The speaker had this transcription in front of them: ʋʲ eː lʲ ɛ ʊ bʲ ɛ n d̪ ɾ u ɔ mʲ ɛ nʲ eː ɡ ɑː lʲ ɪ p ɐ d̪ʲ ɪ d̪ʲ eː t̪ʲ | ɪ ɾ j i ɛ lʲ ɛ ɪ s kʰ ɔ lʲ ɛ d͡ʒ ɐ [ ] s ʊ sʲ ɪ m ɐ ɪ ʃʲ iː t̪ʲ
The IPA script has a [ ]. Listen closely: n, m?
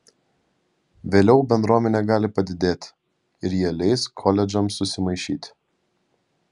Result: m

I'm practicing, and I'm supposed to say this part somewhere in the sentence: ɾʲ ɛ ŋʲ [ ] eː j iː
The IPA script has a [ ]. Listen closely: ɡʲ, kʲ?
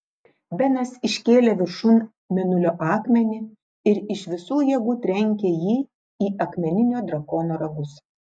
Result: kʲ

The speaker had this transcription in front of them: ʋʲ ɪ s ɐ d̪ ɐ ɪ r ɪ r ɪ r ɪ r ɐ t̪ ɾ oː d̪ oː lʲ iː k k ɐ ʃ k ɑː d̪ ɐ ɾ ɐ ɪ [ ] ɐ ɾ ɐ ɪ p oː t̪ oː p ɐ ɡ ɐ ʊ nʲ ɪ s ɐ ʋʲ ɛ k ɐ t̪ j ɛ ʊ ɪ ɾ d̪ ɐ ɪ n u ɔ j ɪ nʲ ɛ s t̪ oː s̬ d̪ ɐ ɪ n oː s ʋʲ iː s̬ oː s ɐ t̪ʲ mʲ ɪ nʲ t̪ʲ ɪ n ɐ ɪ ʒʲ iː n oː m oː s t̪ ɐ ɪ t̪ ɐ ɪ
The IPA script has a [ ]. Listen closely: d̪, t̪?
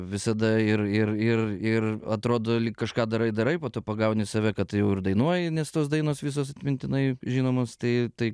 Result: d̪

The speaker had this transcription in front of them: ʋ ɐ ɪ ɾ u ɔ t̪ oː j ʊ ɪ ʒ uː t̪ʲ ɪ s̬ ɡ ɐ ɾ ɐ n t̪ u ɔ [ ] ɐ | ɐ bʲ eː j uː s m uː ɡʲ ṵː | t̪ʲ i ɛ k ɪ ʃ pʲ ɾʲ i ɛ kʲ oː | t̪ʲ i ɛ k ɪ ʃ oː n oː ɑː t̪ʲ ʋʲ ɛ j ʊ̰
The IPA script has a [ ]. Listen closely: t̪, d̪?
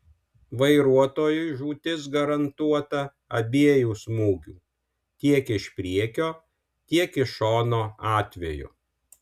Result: t̪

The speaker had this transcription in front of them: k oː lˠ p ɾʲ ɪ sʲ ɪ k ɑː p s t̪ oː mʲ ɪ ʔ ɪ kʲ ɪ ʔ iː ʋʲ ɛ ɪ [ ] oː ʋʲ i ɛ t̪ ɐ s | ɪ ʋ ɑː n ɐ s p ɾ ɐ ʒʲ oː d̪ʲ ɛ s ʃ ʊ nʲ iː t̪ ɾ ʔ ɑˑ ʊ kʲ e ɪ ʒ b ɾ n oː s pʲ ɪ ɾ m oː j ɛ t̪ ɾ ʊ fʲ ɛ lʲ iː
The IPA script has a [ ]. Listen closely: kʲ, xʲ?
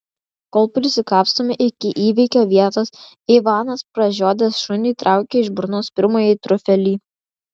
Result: kʲ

